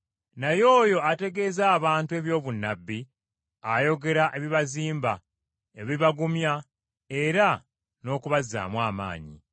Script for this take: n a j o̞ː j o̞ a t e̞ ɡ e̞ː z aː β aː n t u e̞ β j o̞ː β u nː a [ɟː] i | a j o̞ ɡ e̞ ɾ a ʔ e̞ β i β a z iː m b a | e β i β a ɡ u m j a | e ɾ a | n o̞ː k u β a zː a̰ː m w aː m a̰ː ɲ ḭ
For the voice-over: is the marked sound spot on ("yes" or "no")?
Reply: no